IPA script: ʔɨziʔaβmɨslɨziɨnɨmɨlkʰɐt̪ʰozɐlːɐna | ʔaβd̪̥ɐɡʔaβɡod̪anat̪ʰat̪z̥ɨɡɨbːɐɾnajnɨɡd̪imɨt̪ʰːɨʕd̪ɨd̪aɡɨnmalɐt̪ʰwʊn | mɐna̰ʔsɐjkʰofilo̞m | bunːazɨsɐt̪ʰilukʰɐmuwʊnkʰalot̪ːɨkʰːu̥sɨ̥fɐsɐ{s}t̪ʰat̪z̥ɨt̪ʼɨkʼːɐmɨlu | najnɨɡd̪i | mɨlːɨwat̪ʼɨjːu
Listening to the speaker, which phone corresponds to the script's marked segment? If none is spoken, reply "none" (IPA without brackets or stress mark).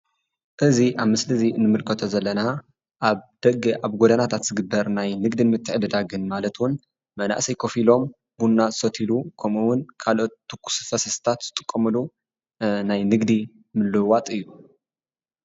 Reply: s